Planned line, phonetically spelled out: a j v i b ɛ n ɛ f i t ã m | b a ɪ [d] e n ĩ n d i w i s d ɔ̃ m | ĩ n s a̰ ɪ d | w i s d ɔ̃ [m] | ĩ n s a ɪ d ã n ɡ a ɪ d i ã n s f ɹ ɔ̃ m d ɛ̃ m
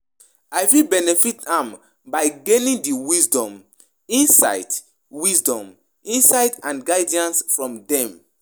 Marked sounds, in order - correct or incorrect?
incorrect: ɡ, correct

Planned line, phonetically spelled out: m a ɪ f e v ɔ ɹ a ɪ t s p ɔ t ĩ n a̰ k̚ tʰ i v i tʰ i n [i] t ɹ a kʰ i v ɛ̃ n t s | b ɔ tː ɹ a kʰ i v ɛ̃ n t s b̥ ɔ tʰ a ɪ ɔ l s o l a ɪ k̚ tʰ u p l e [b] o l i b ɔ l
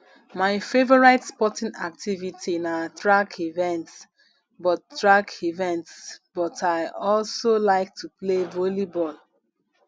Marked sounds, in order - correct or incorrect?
incorrect: a, incorrect: v

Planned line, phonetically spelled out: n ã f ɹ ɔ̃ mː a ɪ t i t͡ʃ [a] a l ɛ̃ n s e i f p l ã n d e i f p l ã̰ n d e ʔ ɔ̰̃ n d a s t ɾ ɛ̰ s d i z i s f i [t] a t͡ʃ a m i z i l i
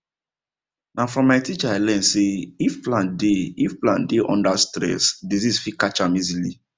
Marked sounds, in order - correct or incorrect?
correct, incorrect: k

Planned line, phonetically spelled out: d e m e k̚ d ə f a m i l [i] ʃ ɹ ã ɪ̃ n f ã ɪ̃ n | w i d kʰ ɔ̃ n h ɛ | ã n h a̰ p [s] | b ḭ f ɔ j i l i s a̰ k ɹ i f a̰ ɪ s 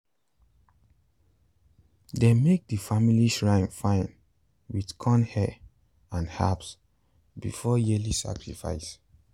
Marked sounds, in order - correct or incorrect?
correct, correct

